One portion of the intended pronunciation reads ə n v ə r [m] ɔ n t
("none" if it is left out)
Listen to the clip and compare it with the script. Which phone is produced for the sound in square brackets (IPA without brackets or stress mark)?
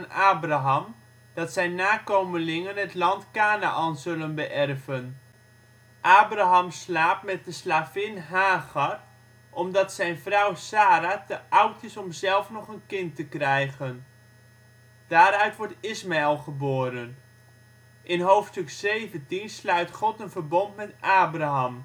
b